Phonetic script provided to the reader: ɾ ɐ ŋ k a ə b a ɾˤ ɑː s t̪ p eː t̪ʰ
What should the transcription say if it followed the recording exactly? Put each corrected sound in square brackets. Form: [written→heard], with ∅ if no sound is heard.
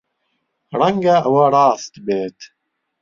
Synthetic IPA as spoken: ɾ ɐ ŋ [k→ɡ] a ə [b→w] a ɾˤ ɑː s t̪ [p→b] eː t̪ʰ

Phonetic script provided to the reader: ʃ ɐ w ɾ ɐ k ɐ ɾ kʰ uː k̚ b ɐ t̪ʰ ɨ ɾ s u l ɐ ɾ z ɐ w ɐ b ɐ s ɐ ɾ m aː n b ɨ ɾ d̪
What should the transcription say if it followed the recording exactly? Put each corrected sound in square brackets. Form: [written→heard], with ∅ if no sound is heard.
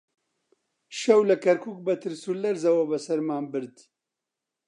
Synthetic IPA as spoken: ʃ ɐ w [ɾ→l] ɐ k ɐ ɾ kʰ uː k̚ b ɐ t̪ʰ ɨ ɾ s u l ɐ ɾ z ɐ w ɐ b ɐ s ɐ ɾ m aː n b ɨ ɾ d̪

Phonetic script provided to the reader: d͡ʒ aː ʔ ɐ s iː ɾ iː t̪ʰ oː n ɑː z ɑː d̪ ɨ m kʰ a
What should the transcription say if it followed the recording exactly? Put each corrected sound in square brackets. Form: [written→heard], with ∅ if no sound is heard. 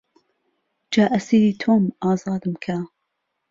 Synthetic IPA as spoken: d͡ʒ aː ʔ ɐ s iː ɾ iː t̪ʰ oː [n→m] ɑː z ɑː d̪ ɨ m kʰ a

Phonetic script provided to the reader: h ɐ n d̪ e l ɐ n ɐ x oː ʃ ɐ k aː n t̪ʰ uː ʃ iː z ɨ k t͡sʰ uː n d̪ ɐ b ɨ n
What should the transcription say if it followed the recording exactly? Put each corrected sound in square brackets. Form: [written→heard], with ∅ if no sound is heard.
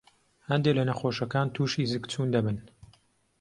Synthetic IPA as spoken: h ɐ n d̪ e l ɐ n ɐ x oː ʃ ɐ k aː n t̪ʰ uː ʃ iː z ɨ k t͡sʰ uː n d̪ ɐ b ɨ n

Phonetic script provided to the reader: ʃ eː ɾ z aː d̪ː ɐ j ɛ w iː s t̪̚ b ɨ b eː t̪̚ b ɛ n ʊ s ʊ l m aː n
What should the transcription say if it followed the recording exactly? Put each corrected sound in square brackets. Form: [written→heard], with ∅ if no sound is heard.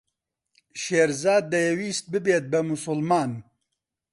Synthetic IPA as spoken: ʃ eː ɾ z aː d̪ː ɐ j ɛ w iː s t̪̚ b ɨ b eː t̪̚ b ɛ [n→m] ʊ s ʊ l m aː n

